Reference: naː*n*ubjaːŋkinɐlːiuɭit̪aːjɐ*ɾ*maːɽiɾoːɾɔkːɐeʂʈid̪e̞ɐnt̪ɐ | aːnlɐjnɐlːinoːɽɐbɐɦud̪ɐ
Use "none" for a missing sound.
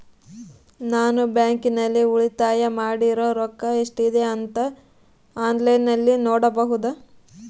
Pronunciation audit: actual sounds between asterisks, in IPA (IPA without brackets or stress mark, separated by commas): n, none